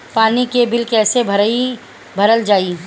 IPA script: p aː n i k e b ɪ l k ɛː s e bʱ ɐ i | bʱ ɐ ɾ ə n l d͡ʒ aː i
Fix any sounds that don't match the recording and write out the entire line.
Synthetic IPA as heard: p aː n i k e b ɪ l k ɛː s e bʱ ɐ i | bʱ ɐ ɾ ə l d͡ʒ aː i